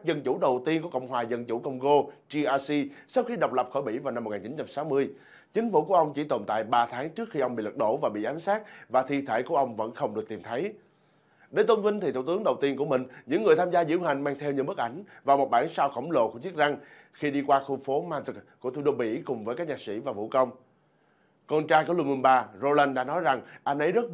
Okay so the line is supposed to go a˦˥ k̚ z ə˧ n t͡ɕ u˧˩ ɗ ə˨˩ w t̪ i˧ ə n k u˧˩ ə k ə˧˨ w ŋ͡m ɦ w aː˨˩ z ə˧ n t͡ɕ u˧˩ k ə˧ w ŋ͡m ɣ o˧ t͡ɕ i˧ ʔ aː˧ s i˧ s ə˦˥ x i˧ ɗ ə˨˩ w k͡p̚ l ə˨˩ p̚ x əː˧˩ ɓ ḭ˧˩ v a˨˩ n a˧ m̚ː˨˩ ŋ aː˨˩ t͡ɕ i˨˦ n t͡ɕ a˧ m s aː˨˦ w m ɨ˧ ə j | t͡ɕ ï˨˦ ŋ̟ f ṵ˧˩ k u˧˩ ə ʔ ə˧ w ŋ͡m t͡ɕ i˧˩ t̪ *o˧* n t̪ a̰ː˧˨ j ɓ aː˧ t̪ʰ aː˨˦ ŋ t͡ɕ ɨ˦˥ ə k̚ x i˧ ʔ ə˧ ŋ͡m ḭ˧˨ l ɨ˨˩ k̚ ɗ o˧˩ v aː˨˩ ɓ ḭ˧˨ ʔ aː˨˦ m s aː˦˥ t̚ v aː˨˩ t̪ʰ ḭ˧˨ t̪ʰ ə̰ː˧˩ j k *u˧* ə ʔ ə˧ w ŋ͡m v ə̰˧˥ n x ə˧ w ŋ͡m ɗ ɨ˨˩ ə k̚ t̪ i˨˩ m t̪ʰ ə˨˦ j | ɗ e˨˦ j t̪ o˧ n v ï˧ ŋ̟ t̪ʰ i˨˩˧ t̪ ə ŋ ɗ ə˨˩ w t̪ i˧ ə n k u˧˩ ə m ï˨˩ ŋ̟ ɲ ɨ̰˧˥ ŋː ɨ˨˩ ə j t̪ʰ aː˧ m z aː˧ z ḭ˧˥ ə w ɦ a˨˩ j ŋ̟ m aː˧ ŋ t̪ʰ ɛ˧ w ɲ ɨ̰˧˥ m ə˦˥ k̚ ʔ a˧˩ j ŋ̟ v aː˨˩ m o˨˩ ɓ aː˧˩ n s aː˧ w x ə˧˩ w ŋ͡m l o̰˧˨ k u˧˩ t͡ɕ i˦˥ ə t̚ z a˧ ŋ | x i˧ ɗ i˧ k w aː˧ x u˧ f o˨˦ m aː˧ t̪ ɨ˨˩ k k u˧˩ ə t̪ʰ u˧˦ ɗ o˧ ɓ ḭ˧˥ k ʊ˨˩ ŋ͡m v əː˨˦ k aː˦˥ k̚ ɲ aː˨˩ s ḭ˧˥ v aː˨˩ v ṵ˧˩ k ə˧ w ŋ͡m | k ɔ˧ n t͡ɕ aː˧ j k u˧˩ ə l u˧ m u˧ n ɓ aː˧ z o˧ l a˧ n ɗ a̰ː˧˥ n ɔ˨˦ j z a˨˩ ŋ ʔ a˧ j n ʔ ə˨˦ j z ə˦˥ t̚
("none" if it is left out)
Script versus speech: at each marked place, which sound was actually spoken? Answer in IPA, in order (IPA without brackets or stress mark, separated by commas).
o˨˩, u˧˩